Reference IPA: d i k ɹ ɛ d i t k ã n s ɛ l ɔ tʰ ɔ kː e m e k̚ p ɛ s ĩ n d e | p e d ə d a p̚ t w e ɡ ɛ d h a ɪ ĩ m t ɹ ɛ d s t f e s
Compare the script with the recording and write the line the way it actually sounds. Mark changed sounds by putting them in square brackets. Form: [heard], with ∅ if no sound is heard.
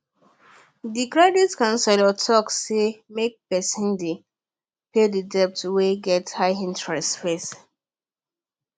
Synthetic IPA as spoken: d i k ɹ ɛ d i t k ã n s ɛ l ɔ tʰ ɔ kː e m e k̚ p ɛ s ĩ n d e | p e d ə d [ɛ] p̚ t w e ɡ ɛ [t] h a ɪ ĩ [n] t ɹ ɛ [∅] s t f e s

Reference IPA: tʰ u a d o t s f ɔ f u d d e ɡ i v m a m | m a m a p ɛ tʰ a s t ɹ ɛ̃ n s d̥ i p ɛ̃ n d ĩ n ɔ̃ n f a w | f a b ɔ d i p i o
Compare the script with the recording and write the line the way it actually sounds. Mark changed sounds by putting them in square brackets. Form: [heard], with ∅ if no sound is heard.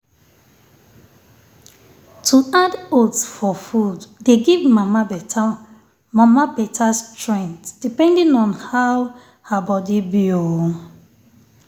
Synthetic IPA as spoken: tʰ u a d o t s f ɔ f u d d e ɡ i v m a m | m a m a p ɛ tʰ a s t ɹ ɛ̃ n [t] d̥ i p ɛ̃ n d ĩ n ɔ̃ n [h] a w | [h] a b ɔ d i [b] i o

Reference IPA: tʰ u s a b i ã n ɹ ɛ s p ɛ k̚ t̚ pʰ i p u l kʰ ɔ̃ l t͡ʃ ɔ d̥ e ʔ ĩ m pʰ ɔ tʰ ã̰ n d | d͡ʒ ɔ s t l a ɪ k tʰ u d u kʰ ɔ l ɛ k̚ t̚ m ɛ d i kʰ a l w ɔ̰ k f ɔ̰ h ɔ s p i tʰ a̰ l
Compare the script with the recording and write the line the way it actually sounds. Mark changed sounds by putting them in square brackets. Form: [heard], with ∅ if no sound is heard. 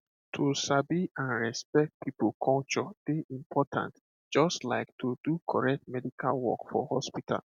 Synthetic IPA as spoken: tʰ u s a b i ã n ɹ ɛ s p ɛ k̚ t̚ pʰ i p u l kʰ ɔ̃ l t͡ʃ ɔ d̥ e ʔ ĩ m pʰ ɔ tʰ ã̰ n [t] | d͡ʒ ɔ s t l a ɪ k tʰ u d u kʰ ɔ [ɹ] ɛ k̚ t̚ m ɛ d i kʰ a l w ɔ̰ k f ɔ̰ h ɔ s p i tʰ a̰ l

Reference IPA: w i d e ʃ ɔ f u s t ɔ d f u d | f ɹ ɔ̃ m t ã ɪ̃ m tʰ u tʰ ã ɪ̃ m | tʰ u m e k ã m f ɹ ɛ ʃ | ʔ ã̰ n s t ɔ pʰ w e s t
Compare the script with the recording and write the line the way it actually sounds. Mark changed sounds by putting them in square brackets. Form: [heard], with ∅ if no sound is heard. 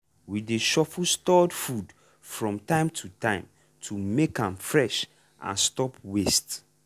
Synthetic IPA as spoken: w i d e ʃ ɔ f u s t ɔ d f u d | f ɹ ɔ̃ m t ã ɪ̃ m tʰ u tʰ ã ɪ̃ m | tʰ u m e k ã m f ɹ ɛ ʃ | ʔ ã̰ n s t ɔ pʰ w e s t

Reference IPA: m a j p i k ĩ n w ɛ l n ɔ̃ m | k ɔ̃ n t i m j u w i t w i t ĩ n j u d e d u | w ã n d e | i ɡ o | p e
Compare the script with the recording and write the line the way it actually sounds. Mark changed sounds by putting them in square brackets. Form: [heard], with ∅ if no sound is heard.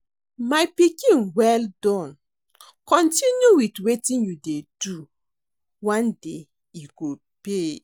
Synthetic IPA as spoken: m a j p i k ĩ n w ɛ l [d] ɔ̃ [n] | k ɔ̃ n t i [n] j u w i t w [e] t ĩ n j u d e d u | w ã n d e | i ɡ o | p e

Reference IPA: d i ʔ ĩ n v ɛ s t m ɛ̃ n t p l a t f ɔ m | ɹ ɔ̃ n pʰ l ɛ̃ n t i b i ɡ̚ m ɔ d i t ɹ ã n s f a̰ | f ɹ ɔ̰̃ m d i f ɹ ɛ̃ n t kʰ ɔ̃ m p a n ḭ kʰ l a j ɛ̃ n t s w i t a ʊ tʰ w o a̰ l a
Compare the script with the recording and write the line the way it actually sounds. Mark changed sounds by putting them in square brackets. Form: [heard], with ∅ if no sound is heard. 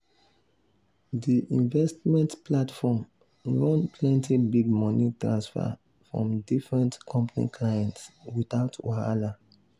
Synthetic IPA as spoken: d i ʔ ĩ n v ɛ s t m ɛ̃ n t p l a t f ɔ m | ɹ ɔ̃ n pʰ l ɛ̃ n t i b i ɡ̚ m ɔ [n] i t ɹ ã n s f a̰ | f ɹ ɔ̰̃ m d i f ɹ ɛ̃ n t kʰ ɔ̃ m p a n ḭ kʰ l a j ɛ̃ n t s w i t a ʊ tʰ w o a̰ l a

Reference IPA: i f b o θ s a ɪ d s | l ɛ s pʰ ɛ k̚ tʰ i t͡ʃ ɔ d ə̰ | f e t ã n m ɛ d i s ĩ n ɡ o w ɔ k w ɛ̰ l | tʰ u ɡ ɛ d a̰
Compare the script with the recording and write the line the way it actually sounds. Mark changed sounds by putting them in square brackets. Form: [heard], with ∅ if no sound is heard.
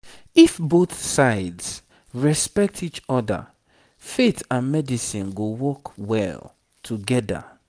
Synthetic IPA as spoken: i f b o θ s a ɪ d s | [ɹ] ɛ s [p] ɛ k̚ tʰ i t͡ʃ ɔ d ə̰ | f e t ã n m ɛ d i s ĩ n ɡ o w ɔ k w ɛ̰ l | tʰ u ɡ ɛ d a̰

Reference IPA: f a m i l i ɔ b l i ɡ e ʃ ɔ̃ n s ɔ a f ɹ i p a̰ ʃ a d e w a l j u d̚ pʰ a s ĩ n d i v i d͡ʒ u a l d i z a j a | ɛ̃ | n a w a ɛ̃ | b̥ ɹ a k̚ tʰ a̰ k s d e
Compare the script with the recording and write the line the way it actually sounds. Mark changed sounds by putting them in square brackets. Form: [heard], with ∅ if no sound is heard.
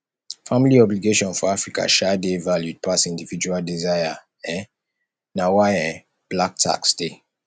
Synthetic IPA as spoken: f a m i l i ɔ b l i ɡ e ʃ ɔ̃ n [f] ɔ a f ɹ i [k] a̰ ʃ a d e [v] a l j u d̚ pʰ a s ĩ n d i v i d͡ʒ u a l d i z a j a | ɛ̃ | n a w a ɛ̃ | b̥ [l] a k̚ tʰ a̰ k s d e

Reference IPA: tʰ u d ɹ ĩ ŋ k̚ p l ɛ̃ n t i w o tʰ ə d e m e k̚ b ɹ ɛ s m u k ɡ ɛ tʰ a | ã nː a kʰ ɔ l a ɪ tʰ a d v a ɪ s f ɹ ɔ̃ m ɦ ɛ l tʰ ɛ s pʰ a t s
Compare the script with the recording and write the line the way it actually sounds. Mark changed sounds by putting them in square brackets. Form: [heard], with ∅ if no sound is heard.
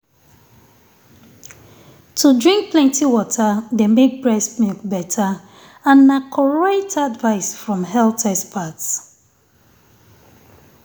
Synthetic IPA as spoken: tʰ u d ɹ ĩ ŋ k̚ p l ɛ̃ n t i w [ɔ] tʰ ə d e m e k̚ b ɹ ɛ s m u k [b] ɛ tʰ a | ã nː a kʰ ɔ [ɹ] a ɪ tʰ a d v a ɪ s f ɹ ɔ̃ m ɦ ɛ l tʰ ɛ s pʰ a t s

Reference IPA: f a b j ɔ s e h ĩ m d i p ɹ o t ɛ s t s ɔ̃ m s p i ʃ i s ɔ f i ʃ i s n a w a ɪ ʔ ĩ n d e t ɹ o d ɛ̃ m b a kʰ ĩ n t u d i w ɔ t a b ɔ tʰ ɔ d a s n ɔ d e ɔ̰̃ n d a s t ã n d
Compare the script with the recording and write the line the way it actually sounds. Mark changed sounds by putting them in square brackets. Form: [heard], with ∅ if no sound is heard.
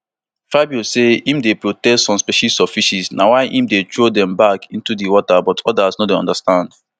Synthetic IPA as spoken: f a b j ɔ s e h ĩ m d [e] p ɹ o t ɛ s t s ɔ̃ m s p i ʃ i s ɔ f i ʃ i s n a w a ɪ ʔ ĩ [m] d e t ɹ o d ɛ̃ m b a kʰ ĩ n t u d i w ɔ t a b ɔ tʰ ɔ d a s n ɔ d e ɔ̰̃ n d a s t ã n d

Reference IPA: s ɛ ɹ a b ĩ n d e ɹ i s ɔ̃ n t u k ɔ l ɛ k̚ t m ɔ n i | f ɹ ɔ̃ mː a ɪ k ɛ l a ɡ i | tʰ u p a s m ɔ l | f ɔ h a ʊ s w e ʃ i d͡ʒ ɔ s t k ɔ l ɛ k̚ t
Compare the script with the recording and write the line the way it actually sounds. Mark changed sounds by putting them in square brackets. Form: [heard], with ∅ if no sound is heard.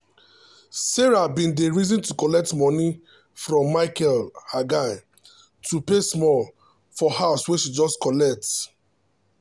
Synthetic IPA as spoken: s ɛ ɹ a b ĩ n d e ɹ i [z] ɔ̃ n t u k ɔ l ɛ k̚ t m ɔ n i | f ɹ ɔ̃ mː a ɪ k ɛ l a ɡ [a] | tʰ u p [e] s m ɔ l | f ɔ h a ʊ s w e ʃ i d͡ʒ ɔ s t k ɔ l ɛ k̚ t

